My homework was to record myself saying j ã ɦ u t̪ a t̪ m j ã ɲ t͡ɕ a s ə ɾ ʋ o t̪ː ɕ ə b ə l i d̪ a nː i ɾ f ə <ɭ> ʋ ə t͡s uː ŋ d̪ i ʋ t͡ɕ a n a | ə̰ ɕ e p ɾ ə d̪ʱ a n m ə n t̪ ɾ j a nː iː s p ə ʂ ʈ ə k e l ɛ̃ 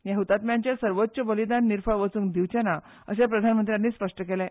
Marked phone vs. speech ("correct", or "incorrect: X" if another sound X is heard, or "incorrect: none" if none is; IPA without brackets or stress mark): correct